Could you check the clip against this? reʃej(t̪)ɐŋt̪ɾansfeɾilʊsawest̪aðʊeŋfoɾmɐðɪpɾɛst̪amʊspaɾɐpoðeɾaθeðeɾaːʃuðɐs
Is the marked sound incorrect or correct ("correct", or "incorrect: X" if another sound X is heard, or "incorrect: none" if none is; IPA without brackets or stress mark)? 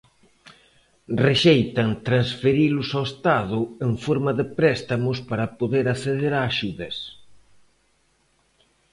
correct